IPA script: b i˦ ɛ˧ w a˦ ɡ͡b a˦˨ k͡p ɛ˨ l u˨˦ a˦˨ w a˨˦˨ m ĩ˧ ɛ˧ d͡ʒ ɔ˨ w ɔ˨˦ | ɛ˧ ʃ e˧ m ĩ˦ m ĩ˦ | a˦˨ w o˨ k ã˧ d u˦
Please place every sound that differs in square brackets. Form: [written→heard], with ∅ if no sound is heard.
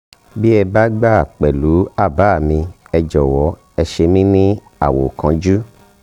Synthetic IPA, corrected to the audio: b i˦ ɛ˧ [w→b] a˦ ɡ͡b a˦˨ k͡p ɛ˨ l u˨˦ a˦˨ [w→b] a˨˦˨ m ĩ˧ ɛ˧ d͡ʒ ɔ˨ w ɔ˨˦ | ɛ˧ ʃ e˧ m ĩ˦ [m→n] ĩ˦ | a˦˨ w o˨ k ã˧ [d→d͡ʒ] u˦